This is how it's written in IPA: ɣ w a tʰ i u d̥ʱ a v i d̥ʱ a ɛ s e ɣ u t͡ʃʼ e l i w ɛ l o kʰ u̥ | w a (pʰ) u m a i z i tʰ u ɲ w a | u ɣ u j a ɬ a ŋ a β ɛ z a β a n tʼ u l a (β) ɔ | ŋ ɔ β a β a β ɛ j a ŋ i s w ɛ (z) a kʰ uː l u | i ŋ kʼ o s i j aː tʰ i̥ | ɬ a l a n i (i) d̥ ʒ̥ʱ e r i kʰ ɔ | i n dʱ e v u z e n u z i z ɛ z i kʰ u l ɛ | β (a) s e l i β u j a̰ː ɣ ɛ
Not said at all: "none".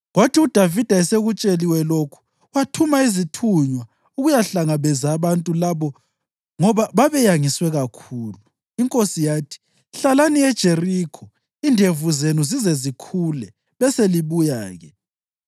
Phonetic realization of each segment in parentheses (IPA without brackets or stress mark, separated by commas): tʰ, β, ɣ, ɛ, ɛ